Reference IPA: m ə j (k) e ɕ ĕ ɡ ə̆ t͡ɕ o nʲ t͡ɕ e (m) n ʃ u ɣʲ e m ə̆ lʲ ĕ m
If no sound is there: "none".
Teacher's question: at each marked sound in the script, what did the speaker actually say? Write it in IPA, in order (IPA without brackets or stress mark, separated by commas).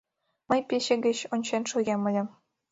p, none